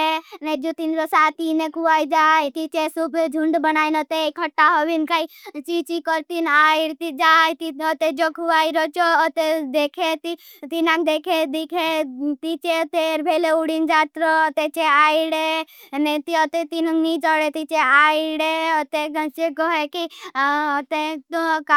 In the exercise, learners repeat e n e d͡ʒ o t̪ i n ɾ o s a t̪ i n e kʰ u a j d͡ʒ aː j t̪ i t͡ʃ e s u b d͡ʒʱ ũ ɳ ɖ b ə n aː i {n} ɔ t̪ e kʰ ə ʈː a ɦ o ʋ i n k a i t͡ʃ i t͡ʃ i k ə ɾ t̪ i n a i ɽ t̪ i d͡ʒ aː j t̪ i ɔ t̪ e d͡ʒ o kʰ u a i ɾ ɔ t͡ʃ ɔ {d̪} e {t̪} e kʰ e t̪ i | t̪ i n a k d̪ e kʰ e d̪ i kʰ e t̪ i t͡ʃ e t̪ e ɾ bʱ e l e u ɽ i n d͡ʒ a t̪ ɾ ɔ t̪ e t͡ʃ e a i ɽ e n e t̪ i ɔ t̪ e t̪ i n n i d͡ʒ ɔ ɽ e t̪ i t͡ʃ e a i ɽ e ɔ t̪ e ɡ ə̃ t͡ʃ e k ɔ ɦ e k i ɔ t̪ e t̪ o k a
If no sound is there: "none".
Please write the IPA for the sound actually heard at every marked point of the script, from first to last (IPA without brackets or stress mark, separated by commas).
n, t̪, d̪